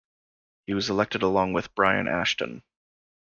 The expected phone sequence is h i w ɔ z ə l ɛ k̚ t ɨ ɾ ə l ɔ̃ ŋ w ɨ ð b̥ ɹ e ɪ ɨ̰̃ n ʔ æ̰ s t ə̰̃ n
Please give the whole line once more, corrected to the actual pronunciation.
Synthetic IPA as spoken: h i w ʌ z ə l ɛ k̚ t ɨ ɾ ə l ɔ̃ ŋ w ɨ ð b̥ ɹ a ɪ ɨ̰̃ n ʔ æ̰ ʃ t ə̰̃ n